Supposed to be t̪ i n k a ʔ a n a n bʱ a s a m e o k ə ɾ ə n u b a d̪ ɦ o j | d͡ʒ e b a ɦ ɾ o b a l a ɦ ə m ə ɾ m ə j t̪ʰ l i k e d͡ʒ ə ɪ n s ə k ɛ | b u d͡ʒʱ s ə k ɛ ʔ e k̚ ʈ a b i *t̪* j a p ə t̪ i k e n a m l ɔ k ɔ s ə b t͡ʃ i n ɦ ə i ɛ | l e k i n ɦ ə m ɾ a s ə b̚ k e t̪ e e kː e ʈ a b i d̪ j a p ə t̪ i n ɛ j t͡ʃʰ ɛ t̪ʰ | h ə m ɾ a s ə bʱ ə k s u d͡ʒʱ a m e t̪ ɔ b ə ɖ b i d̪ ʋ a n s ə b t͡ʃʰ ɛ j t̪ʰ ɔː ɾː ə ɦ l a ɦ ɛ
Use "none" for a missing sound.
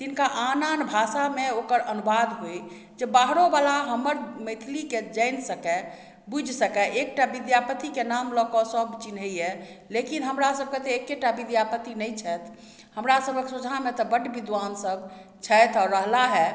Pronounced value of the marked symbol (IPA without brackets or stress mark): d̪